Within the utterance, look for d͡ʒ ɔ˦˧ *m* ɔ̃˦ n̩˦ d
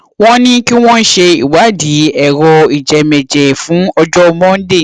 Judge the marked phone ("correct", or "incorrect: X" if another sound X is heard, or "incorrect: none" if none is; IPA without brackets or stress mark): correct